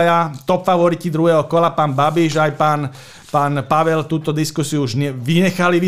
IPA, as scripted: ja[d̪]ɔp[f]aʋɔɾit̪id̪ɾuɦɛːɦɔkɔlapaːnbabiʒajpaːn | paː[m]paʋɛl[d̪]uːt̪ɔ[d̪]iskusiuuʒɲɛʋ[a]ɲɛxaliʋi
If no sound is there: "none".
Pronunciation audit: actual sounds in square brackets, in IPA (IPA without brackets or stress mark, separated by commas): t̪, f, n, t̪, d̪, i